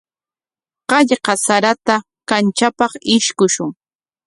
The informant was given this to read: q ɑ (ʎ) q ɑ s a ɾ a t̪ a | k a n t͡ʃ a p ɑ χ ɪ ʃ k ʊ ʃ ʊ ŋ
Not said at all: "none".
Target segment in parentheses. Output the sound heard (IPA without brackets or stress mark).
ʎ